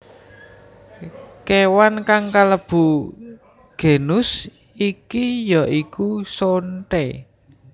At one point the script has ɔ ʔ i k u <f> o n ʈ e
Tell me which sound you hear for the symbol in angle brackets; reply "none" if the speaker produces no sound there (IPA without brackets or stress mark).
s